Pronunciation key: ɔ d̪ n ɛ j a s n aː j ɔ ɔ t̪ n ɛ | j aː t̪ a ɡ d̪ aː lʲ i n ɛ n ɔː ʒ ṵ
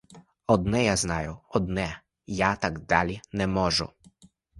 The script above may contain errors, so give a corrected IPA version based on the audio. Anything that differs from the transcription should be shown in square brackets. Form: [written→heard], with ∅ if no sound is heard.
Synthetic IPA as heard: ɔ d̪ n ɛ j a [s→z] n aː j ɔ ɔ [t̪→d̪] n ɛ | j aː t̪ a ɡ d̪ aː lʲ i n ɛ [n→m] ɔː ʒ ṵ